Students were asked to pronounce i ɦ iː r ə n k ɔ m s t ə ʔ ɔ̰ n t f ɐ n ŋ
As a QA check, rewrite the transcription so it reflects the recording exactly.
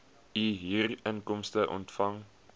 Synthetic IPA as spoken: i ɦ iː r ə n k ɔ m s t ə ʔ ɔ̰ n t f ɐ ŋ